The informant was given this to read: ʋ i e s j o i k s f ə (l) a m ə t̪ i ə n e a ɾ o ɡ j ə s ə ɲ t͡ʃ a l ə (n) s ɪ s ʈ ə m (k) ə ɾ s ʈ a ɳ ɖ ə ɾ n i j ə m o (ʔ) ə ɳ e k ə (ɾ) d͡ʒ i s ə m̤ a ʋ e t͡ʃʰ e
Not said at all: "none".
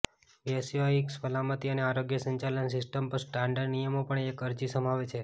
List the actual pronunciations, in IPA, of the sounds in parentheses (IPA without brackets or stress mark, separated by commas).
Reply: l, n, p, p, ɾ